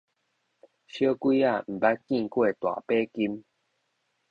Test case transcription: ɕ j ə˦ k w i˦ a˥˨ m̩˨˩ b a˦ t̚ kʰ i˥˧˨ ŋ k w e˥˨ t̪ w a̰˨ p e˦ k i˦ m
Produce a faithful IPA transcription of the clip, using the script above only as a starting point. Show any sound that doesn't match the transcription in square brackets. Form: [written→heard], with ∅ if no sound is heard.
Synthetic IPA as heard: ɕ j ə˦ k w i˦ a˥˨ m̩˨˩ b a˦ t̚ [kʰ→k] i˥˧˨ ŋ k w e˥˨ t̪ w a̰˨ p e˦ k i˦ m